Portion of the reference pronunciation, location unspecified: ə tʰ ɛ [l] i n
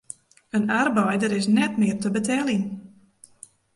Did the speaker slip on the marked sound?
no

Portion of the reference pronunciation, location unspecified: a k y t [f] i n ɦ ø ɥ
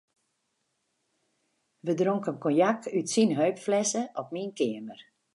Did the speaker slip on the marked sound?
yes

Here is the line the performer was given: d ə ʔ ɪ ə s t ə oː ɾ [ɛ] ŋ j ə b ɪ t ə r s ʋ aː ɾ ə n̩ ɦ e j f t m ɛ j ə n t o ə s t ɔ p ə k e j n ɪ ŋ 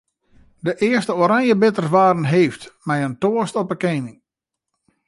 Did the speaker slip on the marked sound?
yes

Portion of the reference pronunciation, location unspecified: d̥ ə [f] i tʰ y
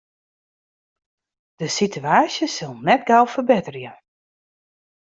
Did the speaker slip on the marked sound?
yes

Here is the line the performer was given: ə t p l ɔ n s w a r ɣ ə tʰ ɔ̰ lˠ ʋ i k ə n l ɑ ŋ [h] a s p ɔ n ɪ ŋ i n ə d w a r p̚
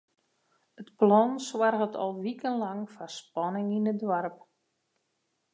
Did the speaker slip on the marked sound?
yes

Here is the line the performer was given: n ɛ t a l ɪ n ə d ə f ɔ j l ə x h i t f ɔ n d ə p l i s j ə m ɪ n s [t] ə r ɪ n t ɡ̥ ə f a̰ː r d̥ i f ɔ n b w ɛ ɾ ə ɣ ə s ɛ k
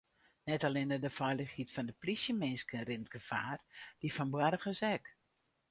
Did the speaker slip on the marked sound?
yes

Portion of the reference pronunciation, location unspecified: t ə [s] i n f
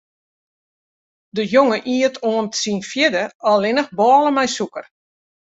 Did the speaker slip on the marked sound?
no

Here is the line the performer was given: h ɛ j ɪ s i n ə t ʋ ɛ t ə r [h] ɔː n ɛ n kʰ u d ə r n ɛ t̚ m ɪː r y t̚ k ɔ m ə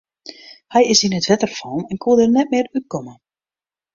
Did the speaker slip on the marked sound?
yes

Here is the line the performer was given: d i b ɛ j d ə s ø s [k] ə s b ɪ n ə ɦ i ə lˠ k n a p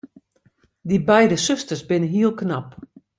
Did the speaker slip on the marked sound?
yes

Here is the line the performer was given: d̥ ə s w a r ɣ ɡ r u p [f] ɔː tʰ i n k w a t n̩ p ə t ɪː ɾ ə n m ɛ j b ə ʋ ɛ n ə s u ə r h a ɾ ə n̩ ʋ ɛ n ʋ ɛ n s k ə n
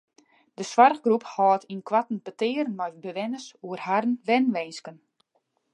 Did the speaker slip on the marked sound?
yes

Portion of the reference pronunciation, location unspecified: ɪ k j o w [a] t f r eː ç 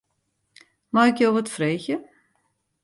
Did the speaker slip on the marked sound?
yes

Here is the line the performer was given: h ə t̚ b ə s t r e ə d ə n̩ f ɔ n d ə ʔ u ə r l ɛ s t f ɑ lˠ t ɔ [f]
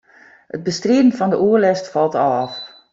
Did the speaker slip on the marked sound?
no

